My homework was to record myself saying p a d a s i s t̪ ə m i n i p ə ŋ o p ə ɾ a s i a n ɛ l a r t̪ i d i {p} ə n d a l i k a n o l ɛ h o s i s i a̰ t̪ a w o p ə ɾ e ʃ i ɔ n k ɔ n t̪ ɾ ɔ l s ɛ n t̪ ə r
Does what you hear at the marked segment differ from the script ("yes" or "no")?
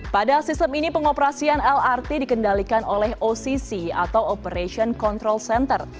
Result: yes